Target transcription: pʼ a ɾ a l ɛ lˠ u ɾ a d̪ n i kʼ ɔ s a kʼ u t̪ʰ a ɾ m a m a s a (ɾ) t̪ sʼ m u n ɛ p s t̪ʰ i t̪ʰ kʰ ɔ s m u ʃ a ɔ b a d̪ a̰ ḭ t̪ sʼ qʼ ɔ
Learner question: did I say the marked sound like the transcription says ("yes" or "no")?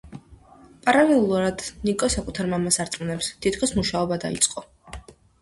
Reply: yes